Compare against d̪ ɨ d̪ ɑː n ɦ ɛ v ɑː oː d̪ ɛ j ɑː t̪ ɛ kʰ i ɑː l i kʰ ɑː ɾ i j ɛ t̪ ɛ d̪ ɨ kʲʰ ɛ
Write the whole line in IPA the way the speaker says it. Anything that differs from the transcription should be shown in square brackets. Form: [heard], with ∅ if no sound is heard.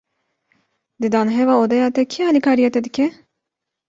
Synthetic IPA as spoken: d̪ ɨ d̪ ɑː n ɦ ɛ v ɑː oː d̪ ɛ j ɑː t̪ ɛ kʰ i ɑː l i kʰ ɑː ɾ i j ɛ t̪ ɛ d̪ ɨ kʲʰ ɛ